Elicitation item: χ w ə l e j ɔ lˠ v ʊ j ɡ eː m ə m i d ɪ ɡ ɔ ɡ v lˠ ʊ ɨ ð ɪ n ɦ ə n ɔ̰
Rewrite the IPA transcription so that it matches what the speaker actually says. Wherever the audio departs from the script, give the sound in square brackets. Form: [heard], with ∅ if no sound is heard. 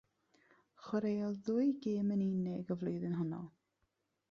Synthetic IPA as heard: χ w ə [ɾ] e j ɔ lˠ [ð] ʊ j ɡ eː m ə [n] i [n] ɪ ɡ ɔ [∅] v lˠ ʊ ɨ ð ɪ n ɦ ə n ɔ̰